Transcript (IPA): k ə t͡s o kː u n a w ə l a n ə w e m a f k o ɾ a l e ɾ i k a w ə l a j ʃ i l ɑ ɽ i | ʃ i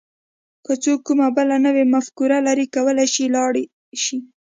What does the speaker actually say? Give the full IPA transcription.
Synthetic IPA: k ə t͡s o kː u m a b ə l a n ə w e m a f k u ɾ a l a ɾ i k a w ə l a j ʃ i l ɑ ɽ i | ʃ i